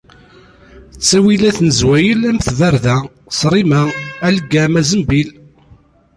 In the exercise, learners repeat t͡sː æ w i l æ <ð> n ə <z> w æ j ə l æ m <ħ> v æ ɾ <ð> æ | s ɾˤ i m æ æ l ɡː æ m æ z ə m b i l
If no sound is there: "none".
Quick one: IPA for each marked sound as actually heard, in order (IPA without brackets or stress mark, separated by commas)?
θ, z, θ, ð